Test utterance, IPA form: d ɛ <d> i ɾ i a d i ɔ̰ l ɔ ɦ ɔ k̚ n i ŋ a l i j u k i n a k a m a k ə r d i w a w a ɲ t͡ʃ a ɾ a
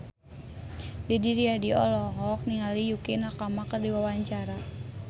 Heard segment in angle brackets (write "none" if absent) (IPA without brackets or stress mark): d